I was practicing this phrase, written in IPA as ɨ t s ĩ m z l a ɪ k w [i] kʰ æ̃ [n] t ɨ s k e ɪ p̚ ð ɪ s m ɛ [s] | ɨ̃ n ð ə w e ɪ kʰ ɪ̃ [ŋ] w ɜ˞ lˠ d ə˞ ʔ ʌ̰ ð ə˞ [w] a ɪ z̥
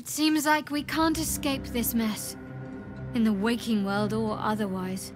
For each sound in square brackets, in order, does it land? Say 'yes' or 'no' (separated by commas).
yes, yes, yes, yes, yes